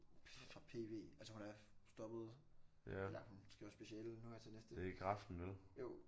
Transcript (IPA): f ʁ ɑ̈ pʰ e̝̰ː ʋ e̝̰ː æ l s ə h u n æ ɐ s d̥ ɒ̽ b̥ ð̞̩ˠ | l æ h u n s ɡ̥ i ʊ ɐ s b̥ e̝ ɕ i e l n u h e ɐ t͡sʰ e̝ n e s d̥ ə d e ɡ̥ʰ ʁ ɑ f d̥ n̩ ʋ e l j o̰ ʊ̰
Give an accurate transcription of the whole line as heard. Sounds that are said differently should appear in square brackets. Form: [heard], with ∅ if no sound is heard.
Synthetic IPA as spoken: f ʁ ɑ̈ pʰ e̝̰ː ʋ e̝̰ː æ l s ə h u n æ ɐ s d̥ ɒ̽ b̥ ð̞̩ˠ | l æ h u n s ɡ̥ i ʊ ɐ s b̥ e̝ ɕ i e l n u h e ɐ t͡sʰ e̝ n e s d̥ ə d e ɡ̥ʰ ʁ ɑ f d̥ n̩ ʋ e l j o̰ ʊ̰